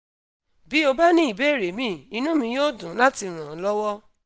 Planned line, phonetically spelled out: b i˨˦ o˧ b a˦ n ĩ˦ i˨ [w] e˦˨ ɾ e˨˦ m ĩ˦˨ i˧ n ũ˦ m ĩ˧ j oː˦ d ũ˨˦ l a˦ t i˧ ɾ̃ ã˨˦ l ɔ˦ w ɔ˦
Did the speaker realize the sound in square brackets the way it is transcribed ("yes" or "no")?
no